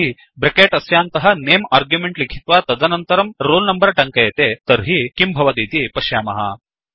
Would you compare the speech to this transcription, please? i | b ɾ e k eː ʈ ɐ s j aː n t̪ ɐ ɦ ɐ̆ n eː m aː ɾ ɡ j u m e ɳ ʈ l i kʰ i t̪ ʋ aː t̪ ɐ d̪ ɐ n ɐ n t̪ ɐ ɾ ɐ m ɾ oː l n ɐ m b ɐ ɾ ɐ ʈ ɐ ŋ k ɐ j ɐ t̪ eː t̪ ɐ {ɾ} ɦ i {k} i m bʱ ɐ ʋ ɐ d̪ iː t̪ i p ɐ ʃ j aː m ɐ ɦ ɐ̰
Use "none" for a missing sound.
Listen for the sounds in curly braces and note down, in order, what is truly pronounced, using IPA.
ɾ, k

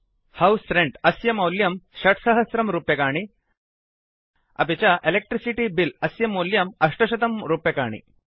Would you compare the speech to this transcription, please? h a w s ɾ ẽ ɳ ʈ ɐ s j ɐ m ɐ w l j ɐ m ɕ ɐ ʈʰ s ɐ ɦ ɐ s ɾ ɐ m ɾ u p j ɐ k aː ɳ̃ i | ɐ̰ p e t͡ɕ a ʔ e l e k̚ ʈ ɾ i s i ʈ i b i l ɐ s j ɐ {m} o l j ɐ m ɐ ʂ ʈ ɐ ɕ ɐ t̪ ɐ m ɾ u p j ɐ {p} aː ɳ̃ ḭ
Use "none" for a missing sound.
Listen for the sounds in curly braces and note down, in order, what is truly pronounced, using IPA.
m, k

